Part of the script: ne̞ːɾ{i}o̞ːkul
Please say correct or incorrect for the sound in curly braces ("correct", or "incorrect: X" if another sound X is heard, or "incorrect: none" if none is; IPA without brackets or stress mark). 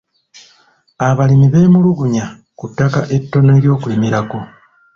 incorrect: j